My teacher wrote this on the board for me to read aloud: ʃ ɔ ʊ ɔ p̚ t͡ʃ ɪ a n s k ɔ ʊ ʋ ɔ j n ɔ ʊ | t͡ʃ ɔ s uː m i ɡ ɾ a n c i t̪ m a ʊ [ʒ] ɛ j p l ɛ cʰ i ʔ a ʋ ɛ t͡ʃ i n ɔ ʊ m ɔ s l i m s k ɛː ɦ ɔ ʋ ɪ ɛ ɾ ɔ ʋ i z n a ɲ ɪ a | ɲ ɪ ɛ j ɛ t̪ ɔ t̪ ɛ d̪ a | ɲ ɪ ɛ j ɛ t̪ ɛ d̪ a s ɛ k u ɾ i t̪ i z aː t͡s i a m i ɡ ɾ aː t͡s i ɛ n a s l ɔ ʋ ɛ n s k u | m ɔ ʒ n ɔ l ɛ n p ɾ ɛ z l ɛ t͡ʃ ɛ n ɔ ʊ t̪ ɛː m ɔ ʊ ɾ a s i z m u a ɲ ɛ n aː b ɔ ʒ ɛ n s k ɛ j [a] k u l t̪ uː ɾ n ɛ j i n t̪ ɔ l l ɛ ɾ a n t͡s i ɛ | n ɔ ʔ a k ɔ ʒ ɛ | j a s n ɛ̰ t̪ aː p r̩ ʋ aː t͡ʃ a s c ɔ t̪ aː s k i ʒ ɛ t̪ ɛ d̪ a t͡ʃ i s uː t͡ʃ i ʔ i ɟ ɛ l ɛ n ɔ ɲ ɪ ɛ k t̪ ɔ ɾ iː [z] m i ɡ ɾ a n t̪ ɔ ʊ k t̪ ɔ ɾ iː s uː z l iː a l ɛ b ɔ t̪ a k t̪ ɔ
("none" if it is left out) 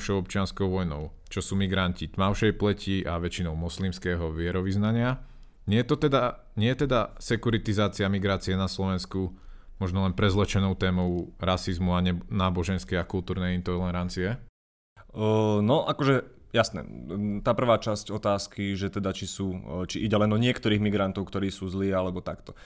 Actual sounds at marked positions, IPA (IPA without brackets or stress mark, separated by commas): ʃ, a, ɣ